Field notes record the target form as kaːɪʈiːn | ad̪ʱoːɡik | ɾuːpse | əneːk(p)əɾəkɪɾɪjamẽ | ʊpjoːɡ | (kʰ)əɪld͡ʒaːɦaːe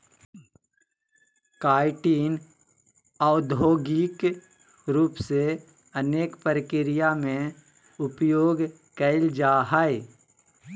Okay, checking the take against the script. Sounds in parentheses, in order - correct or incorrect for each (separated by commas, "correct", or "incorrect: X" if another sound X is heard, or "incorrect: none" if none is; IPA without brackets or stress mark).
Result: correct, incorrect: k